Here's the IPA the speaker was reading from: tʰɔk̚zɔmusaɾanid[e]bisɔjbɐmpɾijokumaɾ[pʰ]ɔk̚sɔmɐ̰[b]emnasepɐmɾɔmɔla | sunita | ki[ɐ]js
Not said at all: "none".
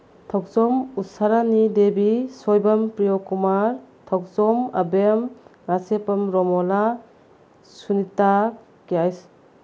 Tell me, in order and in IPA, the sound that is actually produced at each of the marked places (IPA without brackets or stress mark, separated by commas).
e, tʰ, b, a